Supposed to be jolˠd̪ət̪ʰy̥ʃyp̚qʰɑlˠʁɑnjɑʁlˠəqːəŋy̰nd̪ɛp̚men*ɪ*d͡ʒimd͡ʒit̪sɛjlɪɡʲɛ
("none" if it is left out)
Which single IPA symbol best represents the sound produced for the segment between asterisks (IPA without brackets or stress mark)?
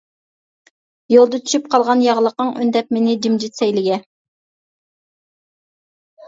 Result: ɪ